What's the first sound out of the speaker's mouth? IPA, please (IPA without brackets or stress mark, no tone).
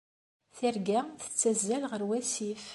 θ